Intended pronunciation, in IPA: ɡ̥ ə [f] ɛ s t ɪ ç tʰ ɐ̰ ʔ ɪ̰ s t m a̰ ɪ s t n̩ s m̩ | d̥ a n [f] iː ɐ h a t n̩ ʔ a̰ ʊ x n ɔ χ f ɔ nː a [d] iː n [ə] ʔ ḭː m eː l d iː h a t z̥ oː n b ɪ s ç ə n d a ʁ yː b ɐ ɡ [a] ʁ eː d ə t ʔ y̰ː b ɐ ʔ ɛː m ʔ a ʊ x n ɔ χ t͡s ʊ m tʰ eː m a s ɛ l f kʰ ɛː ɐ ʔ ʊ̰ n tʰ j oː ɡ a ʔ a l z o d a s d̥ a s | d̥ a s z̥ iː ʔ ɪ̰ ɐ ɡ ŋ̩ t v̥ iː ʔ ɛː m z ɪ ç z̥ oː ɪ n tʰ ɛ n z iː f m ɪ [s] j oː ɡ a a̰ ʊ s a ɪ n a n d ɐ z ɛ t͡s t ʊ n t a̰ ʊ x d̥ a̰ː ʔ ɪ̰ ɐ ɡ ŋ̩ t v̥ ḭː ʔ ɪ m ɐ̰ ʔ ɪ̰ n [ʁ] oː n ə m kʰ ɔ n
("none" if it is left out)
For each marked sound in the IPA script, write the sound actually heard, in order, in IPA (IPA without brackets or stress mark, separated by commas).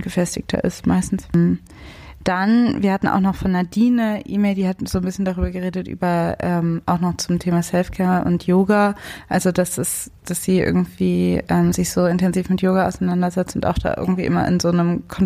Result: f, v, d, ə, ə, t, z